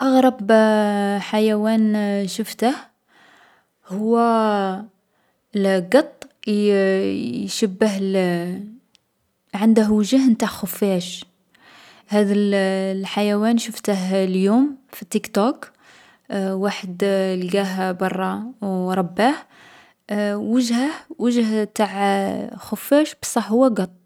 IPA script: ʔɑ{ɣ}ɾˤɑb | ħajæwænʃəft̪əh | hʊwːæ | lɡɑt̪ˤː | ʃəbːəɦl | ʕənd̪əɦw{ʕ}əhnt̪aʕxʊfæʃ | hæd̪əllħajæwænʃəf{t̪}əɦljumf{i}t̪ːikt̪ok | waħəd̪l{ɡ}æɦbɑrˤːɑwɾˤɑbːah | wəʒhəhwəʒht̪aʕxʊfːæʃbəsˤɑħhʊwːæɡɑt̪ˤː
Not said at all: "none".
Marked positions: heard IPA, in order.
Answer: ɣ, ʒ, t̪, i, ɡ

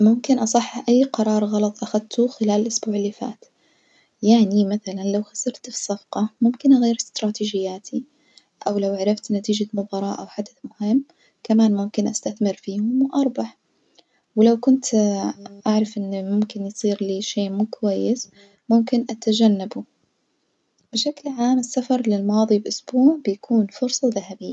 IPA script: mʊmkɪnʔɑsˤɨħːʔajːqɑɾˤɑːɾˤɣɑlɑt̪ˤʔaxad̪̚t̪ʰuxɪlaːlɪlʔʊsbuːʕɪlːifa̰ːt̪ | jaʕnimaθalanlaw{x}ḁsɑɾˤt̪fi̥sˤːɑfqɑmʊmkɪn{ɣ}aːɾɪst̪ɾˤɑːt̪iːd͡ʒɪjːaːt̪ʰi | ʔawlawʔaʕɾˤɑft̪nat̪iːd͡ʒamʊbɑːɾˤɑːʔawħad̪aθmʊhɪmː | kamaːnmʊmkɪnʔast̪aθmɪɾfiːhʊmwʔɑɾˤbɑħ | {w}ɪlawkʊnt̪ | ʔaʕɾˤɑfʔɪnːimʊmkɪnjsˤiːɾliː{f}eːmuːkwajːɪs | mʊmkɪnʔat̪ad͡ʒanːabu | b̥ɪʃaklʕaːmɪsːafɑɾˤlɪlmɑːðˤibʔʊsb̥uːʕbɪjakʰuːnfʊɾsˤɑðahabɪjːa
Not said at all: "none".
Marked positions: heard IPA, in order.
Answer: x, ɣ, w, ʃ

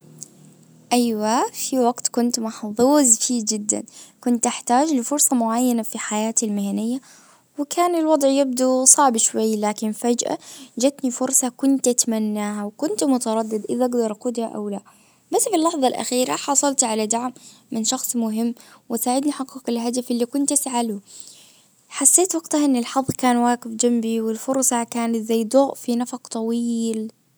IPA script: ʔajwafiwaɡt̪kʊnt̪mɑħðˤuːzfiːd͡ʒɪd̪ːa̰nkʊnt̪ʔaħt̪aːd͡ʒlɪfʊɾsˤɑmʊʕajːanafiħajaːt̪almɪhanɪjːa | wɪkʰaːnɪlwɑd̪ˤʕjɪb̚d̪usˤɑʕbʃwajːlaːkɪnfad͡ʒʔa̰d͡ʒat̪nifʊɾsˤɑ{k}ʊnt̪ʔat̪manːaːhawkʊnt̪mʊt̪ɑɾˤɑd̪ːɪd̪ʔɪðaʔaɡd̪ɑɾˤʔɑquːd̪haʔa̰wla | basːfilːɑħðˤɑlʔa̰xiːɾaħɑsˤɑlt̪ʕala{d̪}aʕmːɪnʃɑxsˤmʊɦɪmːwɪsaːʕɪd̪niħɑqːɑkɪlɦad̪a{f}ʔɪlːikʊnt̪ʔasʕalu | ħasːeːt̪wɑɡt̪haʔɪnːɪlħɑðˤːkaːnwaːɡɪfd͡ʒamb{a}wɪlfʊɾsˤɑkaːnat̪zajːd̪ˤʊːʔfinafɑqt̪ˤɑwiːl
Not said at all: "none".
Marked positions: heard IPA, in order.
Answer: k, d̪, f, i

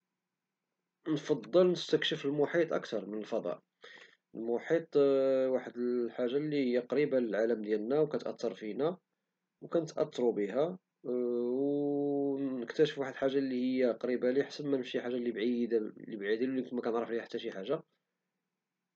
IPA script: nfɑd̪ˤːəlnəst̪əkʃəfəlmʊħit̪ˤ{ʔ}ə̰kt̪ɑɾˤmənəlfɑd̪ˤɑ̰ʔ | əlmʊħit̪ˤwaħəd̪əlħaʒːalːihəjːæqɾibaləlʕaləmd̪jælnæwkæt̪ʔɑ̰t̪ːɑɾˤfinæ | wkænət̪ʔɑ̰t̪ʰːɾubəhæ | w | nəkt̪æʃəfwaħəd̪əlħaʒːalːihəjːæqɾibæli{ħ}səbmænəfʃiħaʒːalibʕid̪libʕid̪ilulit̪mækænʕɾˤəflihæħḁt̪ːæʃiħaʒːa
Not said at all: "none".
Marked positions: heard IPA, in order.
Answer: ʔ, ħ

